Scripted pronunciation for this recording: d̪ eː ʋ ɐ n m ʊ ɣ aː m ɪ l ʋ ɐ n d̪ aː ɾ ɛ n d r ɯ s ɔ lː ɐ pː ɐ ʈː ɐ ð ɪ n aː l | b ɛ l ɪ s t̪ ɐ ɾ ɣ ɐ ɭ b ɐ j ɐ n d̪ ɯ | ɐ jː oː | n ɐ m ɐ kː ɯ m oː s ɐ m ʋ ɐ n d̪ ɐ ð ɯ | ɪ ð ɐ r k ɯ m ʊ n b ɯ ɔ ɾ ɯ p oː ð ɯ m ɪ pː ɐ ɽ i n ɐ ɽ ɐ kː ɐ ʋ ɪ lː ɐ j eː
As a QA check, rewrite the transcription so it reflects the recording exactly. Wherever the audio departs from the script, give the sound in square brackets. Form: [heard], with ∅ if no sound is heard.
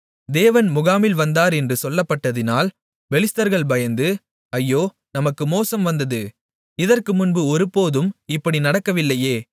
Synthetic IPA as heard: d̪ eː ʋ ɐ n m ʊ ɣ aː m ɪ l ʋ ɐ n d̪ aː ɾ ɛ n d r ɯ s ɔ lː ɐ pː ɐ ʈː ɐ ð ɪ n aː l | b ɛ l ɪ s t̪ ɐ ɾ ɣ ɐ ɭ b ɐ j ɐ n d̪ ɯ | ɐ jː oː | n ɐ m ɐ kː ɯ m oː s ɐ m ʋ ɐ n d̪ ɐ ð ɯ | ɪ ð ɐ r k ɯ m ʊ n b ɯ ɔ ɾ ɯ p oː ð ɯ m ɪ pː ɐ ɽ i n ɐ ɽ ɐ kː ɐ ʋ ɪ lː ɐ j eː